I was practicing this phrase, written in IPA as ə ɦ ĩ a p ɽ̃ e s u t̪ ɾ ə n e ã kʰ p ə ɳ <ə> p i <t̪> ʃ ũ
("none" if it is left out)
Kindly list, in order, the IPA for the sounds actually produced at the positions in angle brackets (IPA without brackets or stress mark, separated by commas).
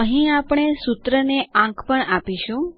a, none